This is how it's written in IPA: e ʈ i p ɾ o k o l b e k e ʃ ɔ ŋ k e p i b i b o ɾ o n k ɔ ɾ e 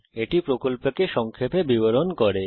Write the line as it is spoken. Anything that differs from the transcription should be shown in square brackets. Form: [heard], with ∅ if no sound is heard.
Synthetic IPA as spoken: e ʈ i p ɾ o k o l [p] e k e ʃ ɔ ŋ [kʰ] e p [e] b i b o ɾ o n k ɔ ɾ e

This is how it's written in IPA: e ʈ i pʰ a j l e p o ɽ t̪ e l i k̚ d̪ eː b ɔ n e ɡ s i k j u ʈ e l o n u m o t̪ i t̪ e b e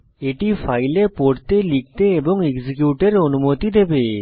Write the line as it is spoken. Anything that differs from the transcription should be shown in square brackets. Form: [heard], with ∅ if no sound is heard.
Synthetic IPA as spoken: e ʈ i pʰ a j l e p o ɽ t̪ e l i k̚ [t̪] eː b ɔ [ŋ] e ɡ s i k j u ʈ e [ɾ] o n u m o t̪ i [d̪] e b e

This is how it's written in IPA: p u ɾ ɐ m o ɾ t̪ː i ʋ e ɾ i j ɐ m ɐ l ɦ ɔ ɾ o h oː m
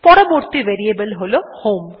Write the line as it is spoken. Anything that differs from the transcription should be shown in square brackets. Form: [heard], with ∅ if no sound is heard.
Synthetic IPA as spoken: p [ɔ] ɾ ɐ m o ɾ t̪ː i ʋ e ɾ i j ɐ [b] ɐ l ɦ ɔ [l] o h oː m

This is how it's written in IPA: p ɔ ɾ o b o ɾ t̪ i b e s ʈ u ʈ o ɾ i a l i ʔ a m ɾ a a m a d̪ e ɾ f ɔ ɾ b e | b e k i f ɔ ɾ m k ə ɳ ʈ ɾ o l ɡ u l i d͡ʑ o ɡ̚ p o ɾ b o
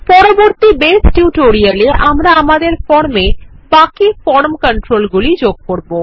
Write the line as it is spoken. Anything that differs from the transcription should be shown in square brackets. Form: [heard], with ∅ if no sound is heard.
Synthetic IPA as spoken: p ɔ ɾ o b o ɾ t̪ i b e s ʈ u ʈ o ɾ i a l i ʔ a m ɾ a a m a d̪ e ɾ f ɔ ɾ [m] e | b [a] k i f ɔ ɾ m k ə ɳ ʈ ɾ o l ɡ u l i d͡ʑ o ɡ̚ [k] o ɾ b o

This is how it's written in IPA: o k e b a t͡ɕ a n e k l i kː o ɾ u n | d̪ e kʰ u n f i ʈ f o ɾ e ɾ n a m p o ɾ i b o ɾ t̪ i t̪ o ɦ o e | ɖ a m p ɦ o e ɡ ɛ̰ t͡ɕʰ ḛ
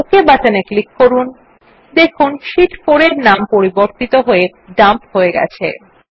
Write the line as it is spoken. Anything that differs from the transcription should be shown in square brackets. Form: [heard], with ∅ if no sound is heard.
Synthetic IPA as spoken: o k e b a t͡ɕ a n e k l i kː o ɾ u n | d̪ e kʰ u n [ʃ] i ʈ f o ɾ e ɾ n a m p o ɾ i b o ɾ t̪ i t̪ o ɦ o e | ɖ a m p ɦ o e ɡ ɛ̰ t͡ɕʰ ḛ

